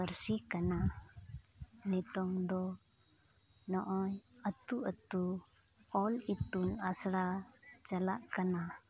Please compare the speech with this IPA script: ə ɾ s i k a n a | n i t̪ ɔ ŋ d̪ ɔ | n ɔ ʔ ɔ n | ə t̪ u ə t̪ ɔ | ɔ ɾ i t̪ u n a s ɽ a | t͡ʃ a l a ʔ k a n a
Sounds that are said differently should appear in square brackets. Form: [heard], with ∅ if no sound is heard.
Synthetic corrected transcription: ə ɾ s i k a n a | n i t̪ ɔ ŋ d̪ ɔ | n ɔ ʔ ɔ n | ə t̪ u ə t̪ [u] | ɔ [l] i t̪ u n a s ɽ a | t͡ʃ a l a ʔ k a n a